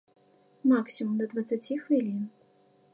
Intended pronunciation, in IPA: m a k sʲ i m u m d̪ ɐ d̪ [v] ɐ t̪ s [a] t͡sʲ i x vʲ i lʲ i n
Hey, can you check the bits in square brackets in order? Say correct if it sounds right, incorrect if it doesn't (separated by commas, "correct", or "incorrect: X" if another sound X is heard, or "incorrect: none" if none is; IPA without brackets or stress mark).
correct, correct